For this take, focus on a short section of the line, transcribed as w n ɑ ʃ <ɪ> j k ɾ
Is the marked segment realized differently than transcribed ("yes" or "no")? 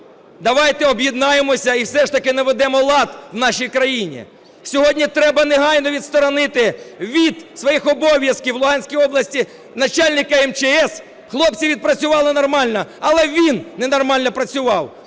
yes